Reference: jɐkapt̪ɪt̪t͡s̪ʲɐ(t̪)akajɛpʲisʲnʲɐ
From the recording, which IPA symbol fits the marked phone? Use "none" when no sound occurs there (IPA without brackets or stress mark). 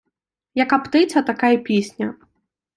t̪